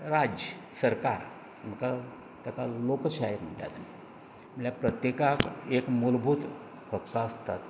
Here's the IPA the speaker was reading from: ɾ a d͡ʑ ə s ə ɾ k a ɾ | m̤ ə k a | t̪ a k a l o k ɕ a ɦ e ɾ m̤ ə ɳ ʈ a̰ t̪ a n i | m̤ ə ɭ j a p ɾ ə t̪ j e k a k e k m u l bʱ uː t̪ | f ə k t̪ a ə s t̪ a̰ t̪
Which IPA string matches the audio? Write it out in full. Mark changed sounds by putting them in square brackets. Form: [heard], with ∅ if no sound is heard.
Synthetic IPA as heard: ɾ a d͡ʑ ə s ə ɾ k a ɾ | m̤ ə k a | t̪ a k a l o k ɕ a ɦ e ɾ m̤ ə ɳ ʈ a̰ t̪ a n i | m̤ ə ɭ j a p ɾ ə t̪ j e k a k e k m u l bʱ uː t̪ | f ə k t̪ a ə s t̪ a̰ t̪